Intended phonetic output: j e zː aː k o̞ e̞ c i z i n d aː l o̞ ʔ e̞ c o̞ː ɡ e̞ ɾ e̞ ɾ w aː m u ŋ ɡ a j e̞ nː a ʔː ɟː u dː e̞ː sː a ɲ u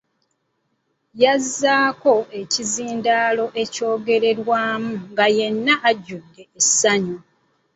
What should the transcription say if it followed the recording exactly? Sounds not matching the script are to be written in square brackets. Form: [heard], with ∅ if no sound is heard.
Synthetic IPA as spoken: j [a] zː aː k o̞ e̞ c i z [iː] n d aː l o̞ ʔ e̞ c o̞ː ɡ e̞ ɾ e̞ ɾ w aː m u ŋ ɡ a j e̞ nː a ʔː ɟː u dː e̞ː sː a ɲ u